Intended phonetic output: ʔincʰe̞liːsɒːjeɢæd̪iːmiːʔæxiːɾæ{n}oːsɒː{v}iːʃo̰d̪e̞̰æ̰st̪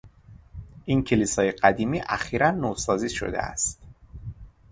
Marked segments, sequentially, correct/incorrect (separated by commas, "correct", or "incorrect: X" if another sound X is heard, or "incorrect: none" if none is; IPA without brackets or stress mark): incorrect: nː, incorrect: z